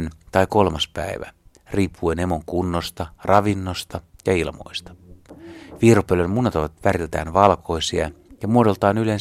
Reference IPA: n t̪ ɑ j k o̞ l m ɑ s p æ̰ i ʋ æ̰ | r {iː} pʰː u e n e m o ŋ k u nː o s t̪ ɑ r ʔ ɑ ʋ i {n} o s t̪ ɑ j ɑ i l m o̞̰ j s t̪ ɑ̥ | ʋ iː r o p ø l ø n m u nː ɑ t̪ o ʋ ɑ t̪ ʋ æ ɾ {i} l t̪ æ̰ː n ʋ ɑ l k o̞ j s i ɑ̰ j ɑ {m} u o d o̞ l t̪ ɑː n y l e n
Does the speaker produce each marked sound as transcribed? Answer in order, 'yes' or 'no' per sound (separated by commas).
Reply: yes, no, yes, yes